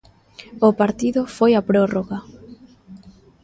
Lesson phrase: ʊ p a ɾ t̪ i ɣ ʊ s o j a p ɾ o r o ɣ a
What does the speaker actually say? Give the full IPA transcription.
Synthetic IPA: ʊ p a ɾ t̪ i ð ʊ f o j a p ɾ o r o ɣ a